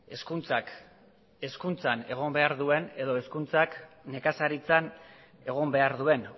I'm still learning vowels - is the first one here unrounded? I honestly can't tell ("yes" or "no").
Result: yes